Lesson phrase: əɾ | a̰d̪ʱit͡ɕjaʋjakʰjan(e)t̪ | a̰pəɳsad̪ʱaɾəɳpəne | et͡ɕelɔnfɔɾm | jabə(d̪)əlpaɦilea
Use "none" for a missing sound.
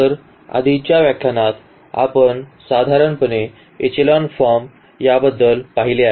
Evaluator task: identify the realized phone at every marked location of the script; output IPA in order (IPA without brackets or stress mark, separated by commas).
a, d̪ː